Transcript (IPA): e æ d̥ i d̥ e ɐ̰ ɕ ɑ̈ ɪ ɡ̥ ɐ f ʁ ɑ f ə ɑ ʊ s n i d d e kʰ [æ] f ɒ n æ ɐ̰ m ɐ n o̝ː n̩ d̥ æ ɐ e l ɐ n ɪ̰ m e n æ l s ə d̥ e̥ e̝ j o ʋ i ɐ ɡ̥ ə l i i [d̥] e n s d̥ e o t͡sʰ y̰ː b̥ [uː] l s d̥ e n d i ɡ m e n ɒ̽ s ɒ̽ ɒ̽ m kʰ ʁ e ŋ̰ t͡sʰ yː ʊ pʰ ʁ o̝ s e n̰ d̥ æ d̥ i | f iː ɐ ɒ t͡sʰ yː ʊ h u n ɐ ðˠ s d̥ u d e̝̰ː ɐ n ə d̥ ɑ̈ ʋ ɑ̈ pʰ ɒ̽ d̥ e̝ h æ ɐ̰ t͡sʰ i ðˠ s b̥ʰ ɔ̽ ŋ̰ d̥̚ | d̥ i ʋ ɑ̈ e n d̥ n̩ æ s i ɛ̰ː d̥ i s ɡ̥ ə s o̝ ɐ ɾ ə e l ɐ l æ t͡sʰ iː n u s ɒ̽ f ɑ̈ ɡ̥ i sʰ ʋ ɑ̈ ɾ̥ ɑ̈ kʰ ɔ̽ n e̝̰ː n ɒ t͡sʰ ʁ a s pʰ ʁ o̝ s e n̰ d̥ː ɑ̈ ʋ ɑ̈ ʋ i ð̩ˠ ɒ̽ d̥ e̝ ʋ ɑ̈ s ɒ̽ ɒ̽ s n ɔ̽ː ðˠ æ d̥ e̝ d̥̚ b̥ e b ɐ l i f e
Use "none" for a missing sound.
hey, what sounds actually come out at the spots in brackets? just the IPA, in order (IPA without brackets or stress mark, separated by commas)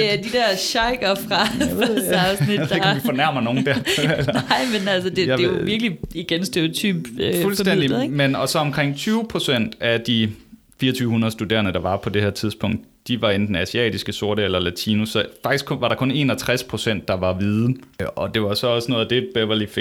i, ɡ̥, u